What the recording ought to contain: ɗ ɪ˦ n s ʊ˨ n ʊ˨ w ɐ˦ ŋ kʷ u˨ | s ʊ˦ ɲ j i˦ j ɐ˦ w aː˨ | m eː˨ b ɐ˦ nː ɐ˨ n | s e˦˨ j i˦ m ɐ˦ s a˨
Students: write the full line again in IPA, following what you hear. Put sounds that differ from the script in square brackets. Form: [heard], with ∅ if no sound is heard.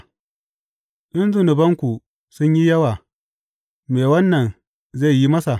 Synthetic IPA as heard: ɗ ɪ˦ n [z] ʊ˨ n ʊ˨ [b] ɐ˦ ŋ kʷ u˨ | s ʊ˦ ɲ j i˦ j ɐ˦ w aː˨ | m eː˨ [w] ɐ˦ nː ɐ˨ n | [z] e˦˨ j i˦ m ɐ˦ s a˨